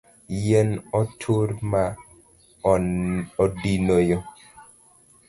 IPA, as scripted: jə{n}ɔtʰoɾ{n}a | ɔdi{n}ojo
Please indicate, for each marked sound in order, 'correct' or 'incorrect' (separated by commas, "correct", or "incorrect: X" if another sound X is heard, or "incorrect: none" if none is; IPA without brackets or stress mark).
correct, incorrect: m, correct